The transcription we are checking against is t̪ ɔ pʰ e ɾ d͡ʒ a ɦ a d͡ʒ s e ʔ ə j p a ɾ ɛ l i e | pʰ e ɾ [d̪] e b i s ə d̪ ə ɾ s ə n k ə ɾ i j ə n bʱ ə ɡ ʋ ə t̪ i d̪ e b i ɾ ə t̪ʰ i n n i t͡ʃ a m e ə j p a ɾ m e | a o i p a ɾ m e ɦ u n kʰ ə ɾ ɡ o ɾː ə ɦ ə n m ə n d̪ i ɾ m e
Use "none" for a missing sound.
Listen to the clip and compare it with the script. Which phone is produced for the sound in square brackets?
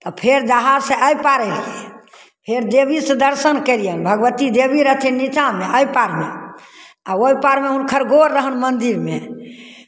d̪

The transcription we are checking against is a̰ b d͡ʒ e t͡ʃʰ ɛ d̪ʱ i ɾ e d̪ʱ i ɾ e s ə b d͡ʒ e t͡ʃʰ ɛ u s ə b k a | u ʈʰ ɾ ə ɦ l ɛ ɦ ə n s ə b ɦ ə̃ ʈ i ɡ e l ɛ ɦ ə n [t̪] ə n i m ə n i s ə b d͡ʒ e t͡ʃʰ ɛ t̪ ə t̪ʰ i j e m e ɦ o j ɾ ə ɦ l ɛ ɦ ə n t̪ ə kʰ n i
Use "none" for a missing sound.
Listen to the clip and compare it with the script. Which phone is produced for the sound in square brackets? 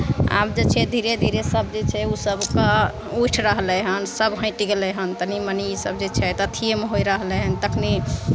t̪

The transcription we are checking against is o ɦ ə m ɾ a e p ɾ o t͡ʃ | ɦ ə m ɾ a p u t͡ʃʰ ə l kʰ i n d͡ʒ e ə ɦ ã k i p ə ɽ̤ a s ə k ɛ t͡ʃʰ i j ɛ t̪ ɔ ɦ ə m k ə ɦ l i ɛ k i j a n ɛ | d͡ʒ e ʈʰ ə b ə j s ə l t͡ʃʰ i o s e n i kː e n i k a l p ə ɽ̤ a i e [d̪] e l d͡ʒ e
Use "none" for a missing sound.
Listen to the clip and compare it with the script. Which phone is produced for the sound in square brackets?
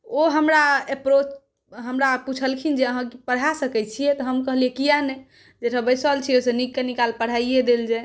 d̪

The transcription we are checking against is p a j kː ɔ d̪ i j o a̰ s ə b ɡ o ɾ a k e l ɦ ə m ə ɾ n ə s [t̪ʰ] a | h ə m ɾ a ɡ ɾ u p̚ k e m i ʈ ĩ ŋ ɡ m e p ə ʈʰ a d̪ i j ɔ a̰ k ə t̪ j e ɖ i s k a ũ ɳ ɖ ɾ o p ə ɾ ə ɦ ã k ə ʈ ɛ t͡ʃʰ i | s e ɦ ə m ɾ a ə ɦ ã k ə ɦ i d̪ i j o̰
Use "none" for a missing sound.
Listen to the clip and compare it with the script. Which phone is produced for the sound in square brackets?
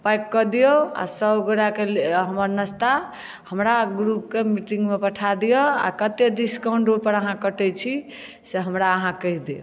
t̪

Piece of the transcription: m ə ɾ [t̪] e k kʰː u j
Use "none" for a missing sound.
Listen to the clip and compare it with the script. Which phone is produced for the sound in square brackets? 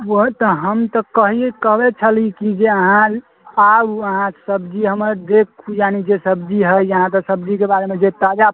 d̪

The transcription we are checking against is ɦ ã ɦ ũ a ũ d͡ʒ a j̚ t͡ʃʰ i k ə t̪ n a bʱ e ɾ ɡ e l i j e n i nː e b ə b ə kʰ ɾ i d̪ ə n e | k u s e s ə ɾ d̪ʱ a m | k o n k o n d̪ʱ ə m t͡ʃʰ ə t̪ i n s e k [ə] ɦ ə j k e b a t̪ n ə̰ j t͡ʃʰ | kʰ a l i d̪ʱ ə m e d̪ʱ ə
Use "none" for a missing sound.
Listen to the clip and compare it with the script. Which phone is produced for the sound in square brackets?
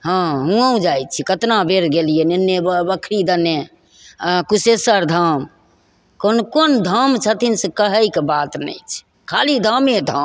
ə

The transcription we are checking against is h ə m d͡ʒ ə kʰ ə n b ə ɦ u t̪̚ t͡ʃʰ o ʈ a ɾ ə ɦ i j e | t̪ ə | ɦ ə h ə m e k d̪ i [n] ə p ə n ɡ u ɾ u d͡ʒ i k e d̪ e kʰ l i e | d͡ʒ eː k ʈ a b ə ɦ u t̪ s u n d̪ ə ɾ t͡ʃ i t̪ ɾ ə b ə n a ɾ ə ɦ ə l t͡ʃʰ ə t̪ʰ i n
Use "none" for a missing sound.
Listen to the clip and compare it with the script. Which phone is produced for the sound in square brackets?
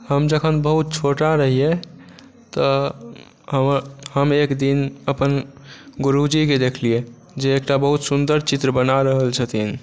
n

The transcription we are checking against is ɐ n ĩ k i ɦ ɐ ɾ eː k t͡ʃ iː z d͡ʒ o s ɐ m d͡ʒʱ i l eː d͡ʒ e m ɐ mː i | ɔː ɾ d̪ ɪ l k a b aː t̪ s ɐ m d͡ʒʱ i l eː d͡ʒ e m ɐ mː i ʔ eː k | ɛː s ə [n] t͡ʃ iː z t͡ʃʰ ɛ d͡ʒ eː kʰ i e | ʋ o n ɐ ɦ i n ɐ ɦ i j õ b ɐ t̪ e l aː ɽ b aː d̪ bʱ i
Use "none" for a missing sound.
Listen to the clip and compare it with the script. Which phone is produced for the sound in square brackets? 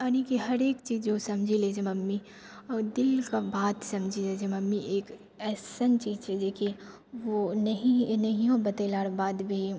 n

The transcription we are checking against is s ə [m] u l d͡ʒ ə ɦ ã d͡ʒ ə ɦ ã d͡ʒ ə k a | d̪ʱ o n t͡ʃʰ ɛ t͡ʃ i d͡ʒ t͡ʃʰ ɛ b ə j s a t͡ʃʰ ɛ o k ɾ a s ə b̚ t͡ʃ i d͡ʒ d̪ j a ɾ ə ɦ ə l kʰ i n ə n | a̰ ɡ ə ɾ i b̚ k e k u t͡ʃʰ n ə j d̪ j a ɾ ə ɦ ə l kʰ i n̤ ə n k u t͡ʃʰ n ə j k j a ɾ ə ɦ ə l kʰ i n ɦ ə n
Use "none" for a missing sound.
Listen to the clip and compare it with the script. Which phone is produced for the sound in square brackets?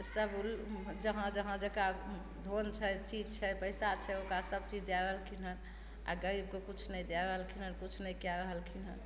b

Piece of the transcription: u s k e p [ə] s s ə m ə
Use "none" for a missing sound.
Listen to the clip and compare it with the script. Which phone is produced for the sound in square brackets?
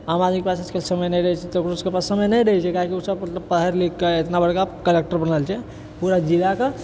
a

